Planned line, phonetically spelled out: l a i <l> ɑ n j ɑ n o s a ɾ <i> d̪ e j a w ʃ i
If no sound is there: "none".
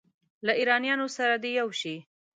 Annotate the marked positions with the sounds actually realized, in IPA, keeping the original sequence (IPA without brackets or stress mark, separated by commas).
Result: ɾ, a